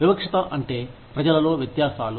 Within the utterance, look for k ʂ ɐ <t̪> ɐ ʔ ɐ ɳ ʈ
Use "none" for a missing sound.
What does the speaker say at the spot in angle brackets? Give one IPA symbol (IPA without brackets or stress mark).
t̪